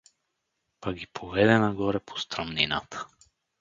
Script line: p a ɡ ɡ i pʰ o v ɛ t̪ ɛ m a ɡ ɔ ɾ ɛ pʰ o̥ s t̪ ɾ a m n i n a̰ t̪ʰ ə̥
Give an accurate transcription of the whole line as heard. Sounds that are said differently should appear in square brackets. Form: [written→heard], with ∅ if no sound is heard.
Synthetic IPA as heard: p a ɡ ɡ i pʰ o v ɛ [t̪→d̪] ɛ [m→n] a ɡ ɔ ɾ ɛ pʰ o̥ s t̪ ɾ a m n i n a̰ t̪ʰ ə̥